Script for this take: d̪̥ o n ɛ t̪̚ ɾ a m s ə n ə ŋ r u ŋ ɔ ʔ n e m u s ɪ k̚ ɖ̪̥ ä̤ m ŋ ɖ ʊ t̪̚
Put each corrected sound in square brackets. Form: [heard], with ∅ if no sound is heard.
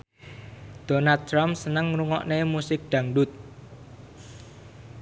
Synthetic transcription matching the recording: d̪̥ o n [a] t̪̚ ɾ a m s ə n ə ŋ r u ŋ ɔ ʔ n e m u s ɪ k̚ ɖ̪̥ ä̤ [∅] ŋ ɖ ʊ t̪̚